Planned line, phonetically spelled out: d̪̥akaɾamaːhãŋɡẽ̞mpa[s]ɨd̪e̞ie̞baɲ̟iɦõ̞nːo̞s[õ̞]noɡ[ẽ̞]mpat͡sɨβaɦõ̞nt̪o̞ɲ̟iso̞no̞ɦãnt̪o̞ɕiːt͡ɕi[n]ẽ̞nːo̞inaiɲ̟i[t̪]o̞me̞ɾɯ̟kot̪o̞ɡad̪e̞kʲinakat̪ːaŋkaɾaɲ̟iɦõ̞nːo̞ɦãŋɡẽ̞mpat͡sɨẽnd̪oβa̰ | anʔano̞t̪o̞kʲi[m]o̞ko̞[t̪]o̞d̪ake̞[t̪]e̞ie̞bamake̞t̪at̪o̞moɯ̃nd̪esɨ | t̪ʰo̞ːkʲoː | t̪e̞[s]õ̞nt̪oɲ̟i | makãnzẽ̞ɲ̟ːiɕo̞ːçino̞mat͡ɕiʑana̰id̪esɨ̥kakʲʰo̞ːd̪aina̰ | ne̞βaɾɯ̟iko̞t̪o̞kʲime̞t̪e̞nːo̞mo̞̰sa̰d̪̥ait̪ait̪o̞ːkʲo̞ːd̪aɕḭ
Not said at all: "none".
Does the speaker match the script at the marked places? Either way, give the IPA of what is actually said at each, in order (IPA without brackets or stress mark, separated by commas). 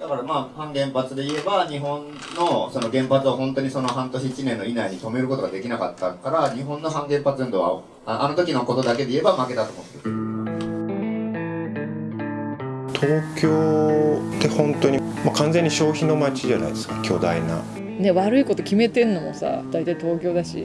t͡s, o̞, ẽ̞, n, t̪, n, t̪, d̪, h